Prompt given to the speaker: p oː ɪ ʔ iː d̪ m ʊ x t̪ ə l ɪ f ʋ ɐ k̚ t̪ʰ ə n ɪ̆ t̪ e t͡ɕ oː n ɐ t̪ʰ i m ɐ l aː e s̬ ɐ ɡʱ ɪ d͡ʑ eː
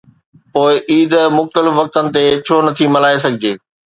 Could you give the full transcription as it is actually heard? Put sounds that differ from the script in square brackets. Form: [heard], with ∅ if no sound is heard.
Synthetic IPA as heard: p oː ɪ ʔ iː d̪ m ʊ x t̪ ə l ɪ f ʋ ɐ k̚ [t̪] ə n ɪ̆ t̪ e [t͡ɕʰ] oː n ɐ t̪ʰ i m ɐ l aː e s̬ ɐ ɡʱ ɪ d͡ʑ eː